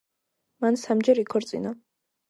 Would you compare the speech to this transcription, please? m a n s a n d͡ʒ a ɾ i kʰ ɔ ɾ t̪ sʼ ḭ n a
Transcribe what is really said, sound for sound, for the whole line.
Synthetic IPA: m a n s a m d͡ʒ ɛ ɾ i kʰ ɔ ɾ t̪ sʼ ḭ n a

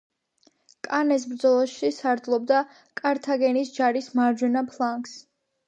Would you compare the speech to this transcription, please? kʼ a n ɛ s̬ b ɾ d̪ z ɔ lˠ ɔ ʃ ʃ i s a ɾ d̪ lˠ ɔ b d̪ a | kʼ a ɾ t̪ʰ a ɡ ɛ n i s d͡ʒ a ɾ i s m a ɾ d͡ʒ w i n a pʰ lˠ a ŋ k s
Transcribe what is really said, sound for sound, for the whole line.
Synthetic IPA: kʼ a n ɛ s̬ b ɾ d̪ z ɔ lˠ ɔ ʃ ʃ i s a ɾ d̪ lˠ ɔ b d̪ a | kʼ a ɾ t̪ʰ a ɡ ɛ n i s d͡ʒ a ɾ i s m a ɾ d͡ʒ w ɛ n a pʰ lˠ a ŋ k s

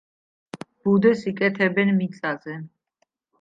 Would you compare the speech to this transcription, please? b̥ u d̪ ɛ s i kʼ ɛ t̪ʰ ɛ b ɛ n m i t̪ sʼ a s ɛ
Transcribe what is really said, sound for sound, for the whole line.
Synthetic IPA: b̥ u d̪ ɛ s i kʼ ɛ t̪ʰ ɛ b ɛ n m i t̪ sʼ a z ɛ

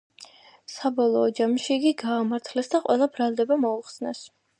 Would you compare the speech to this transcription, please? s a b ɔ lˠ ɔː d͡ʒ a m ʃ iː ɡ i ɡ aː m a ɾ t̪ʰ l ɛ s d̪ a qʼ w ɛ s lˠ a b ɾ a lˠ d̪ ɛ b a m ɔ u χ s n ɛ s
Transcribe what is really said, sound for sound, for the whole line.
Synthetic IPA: s a b ɔ lˠ ɔː d͡ʒ a m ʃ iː ɡ i ɡ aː m a ɾ t̪ʰ l ɛ s d̪ a qʼ w ɛ lˠ a b ɾ a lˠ d̪ ɛ b a m ɔ u χ s n ɛ s

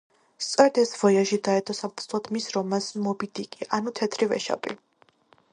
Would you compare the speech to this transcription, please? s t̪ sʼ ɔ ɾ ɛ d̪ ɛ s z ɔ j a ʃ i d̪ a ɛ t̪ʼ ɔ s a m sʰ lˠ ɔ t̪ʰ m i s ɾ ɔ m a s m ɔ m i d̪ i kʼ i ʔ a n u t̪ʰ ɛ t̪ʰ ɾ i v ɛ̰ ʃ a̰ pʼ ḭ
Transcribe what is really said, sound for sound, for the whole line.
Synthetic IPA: s t̪ sʼ ɔ ɾ ɛ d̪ ɛ s v ɔ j a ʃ i d̪ a ɛ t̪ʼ ɔ s a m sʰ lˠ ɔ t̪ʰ m i s ɾ ɔ m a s m ɔ b i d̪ i kʼ i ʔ a n u t̪ʰ ɛ t̪ʰ ɾ i v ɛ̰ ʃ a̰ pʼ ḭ

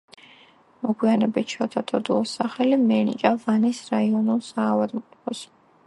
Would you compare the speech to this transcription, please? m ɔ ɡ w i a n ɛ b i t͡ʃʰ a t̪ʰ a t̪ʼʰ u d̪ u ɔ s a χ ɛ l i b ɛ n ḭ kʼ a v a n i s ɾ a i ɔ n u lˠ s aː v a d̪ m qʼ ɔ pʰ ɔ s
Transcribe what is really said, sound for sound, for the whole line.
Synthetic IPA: m ɔ ɡ w i a n ɛ b i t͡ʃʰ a t̪ʰ a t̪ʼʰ ɔ d̪ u ɔ s a χ ɛ l i m ɛ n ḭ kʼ a v a n i s ɾ a i ɔ n u lˠ s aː v a d̪ m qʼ ɔ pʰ ɔ s

